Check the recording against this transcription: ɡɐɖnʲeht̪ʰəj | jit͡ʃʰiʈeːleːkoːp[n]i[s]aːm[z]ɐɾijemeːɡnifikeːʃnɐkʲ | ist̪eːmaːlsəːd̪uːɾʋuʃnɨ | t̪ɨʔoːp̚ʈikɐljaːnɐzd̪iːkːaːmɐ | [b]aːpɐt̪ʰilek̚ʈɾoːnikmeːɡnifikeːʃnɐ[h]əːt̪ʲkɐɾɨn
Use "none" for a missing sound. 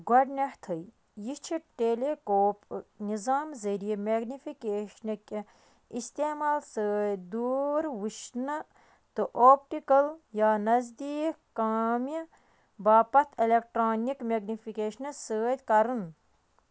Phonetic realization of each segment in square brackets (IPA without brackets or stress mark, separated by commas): n, z, z, b, s